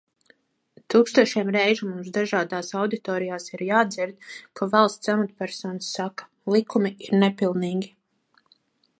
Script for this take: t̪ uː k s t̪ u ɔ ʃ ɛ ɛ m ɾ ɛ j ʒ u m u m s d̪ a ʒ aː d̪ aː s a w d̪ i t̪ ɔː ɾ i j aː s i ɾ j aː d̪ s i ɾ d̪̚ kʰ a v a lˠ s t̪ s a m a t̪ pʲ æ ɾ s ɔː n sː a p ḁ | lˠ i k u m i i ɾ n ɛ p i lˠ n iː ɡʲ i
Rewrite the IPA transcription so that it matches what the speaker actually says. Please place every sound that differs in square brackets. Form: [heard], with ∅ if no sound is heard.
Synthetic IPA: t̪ uː k s t̪ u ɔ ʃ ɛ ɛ m ɾ ɛ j ʒ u m u m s d̪ a ʒ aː d̪ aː s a w d̪ i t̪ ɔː ɾ i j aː s i ɾ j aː d̪ [z] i ɾ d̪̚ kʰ a v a lˠ s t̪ s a m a t̪ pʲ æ ɾ s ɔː n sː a [k] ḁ | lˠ i k u m i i ɾ n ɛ p i lˠ n iː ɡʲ i